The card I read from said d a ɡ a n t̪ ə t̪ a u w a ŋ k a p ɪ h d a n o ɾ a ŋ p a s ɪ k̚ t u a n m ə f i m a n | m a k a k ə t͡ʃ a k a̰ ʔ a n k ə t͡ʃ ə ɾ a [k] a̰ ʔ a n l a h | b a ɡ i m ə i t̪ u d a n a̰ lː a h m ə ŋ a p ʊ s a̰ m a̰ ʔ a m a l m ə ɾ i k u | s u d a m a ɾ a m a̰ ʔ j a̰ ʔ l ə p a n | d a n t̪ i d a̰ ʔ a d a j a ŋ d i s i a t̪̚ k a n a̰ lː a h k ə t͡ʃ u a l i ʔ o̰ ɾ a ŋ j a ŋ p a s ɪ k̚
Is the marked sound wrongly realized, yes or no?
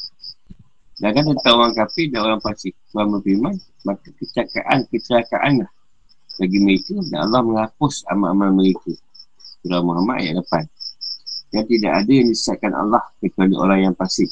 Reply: no